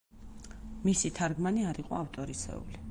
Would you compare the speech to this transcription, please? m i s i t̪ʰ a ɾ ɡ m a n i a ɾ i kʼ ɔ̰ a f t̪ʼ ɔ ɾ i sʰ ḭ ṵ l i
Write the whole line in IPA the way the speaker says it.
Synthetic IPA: m i s i t̪ʰ a ɾ ɡ m a n i a ɾ i qʼ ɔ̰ a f t̪ʼ ɔ ɾ i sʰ ɛ̰ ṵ l i